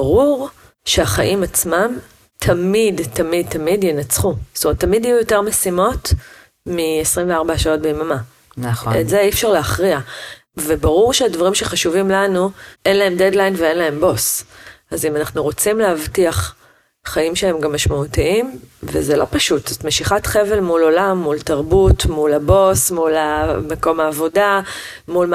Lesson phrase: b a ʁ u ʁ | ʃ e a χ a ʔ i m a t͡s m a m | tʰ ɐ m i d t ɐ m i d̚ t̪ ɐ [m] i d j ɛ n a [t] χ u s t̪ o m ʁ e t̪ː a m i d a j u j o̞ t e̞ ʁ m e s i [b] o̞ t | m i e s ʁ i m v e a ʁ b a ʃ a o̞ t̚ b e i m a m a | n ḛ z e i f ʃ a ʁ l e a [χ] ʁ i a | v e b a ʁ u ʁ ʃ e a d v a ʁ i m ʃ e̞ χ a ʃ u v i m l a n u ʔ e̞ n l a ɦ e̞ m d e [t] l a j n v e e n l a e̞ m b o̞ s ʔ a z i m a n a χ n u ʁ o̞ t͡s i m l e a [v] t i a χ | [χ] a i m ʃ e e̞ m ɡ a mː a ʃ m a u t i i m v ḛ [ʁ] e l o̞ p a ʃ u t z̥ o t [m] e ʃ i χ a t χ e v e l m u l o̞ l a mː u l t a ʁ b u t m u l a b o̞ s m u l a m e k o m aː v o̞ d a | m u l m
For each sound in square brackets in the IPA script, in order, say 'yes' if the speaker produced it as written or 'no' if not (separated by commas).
yes, no, no, yes, no, yes, yes, no, yes